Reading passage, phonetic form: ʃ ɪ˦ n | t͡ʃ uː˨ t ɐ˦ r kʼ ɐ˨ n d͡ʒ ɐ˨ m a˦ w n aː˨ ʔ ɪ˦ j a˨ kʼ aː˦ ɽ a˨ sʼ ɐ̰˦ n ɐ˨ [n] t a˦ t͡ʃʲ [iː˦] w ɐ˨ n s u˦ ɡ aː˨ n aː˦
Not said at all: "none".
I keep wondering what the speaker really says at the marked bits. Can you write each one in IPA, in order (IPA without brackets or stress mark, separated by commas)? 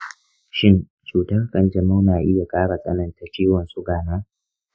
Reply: n, iː˦